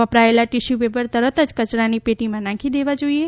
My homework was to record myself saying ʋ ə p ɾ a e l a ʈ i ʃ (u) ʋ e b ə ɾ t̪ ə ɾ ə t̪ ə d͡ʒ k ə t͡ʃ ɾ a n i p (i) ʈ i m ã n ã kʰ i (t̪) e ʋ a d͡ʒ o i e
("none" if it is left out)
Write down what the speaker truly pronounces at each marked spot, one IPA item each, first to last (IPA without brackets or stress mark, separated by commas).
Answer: u, e, d̪